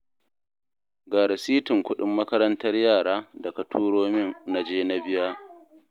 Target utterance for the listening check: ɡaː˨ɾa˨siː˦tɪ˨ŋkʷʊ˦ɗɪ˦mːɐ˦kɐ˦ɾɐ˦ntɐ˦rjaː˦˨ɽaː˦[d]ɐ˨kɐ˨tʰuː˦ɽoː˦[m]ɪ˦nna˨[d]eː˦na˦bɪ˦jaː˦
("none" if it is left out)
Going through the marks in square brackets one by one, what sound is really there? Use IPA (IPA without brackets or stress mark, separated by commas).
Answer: d, m, d͡ʒ